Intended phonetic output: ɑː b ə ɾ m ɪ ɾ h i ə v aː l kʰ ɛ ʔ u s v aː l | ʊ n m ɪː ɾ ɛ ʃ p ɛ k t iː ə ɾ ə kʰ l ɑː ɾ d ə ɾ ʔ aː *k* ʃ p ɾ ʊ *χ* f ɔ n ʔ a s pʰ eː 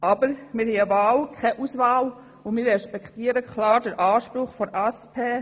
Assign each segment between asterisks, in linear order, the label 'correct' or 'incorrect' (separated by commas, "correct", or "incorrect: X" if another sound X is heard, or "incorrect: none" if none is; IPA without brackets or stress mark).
incorrect: none, correct